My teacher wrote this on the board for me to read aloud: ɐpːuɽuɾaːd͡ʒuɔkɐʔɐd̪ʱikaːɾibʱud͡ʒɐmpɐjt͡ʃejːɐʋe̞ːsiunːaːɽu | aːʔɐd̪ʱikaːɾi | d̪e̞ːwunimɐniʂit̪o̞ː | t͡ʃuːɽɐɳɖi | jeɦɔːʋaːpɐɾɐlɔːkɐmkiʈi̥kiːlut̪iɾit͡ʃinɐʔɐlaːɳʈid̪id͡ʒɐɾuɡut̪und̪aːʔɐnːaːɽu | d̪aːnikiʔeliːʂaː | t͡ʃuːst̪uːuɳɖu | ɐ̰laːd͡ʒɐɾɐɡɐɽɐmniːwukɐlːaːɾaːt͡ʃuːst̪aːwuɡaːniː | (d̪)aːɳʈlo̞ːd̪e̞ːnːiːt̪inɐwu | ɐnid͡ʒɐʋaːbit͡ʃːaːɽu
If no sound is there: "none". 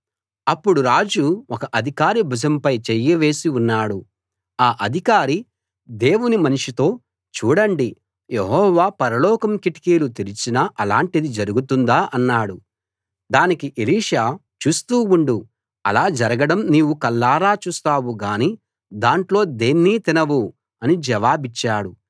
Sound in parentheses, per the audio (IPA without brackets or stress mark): d̪